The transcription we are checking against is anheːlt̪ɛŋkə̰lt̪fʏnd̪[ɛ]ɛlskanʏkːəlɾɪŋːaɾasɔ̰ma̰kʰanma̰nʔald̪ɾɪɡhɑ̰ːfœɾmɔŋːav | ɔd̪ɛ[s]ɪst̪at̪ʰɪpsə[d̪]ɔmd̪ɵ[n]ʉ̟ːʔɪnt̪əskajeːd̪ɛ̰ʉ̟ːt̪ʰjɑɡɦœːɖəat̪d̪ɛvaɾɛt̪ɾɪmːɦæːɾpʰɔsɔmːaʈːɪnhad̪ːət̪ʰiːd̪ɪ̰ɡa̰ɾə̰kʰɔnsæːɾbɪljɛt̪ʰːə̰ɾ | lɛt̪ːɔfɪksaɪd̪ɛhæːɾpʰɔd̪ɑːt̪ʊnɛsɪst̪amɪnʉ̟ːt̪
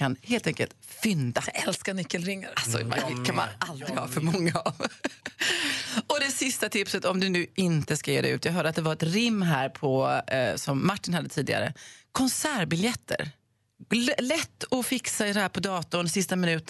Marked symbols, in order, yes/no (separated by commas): no, yes, no, yes